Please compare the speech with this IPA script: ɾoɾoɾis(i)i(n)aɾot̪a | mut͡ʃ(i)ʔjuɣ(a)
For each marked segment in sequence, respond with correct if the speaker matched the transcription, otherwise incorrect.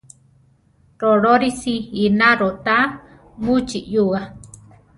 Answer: correct, correct, correct, correct

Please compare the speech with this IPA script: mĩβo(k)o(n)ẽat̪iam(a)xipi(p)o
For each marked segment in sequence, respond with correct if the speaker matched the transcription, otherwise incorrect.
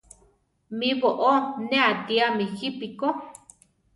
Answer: incorrect: ʔ, correct, incorrect: i, incorrect: k

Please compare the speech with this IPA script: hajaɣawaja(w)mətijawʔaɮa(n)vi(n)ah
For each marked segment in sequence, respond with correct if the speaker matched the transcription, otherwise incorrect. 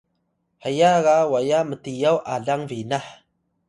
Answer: incorrect: none, incorrect: ŋ, correct

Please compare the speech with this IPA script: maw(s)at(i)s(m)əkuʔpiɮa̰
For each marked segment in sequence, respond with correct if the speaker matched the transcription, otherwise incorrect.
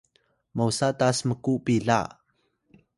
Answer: correct, incorrect: a, correct

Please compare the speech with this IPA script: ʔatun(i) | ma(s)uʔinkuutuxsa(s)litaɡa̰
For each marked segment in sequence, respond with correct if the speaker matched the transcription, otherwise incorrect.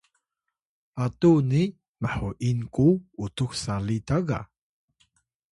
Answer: correct, incorrect: ħ, incorrect: none

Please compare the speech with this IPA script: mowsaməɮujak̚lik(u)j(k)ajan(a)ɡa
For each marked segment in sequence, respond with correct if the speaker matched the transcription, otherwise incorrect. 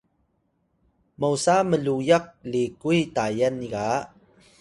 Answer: correct, incorrect: t, incorrect: i

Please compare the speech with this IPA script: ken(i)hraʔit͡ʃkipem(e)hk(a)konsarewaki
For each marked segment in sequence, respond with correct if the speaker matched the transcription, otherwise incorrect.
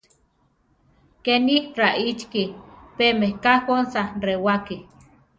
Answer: correct, correct, correct

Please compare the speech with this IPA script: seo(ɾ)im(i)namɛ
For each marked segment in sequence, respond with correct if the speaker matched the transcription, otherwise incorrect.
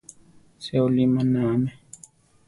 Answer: incorrect: l, incorrect: a

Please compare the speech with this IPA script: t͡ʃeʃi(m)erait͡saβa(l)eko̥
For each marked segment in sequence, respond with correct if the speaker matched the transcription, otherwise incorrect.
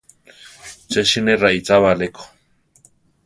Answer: incorrect: n, correct

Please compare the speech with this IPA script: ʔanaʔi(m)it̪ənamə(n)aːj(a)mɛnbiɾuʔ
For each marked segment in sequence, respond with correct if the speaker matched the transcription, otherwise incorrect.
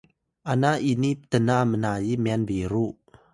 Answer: incorrect: n, correct, incorrect: i

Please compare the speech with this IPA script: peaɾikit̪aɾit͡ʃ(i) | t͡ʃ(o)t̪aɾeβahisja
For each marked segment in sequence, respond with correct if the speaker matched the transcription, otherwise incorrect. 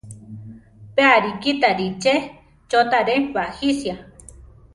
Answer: incorrect: e, correct

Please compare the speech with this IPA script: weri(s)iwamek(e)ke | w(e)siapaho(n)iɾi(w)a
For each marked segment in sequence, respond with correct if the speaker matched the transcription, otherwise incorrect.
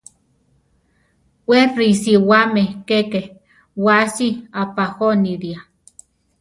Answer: correct, correct, incorrect: a, correct, incorrect: none

